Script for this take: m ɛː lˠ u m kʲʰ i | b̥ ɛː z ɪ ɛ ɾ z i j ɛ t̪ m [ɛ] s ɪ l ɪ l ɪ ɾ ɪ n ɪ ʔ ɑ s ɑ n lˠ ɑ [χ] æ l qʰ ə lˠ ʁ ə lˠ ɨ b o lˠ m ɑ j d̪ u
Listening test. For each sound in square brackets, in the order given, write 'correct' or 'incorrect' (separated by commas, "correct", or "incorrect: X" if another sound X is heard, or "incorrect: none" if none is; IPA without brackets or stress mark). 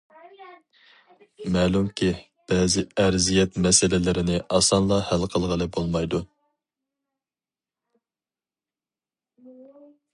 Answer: correct, incorrect: h